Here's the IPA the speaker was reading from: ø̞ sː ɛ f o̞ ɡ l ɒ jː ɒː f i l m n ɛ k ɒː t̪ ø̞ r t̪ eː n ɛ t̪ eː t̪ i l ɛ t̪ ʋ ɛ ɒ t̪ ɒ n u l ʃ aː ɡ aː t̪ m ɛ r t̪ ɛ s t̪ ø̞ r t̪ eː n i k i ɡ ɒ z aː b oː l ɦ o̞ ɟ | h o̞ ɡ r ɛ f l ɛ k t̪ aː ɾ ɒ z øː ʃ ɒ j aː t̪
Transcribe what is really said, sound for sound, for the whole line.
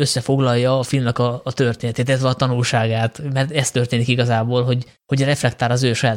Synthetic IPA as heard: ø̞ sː ɛ f o̞ ɡ l ɒ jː ɒː f i l m n ɛ k ɒː t̪ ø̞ r t̪ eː n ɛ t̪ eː t̪ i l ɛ t̪ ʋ ɛ ɒ t̪ ɒ n u l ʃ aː ɡ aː t̪ m ɛ r t̪ ɛ s t̪ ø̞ r t̪ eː n i k i ɡ ɒ z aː b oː l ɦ o̞ ɟ | h o̞ ɟ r ɛ f l ɛ k t̪ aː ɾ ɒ z øː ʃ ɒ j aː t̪